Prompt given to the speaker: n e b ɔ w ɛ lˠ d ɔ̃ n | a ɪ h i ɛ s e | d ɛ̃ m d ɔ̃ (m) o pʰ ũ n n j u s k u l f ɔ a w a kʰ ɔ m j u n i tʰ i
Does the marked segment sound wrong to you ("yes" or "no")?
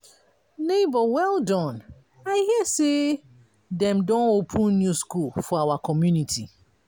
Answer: yes